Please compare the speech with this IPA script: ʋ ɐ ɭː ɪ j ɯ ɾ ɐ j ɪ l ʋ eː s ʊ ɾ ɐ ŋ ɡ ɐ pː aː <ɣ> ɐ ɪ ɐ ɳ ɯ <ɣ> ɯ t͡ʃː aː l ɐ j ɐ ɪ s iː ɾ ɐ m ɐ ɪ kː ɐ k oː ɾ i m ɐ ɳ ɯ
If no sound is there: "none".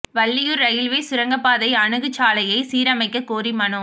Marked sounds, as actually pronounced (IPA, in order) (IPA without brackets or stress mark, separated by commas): ð, ɣ